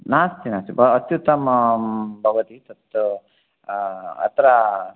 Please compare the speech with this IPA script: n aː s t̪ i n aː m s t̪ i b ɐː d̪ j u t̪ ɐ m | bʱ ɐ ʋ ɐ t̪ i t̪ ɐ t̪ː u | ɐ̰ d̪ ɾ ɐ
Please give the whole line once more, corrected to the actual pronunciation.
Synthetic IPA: n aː s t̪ i n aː s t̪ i b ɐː t̪ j u t̪ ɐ m | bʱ ɐ ʋ ɐ t̪ i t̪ ɐ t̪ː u | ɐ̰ t̪ ɾ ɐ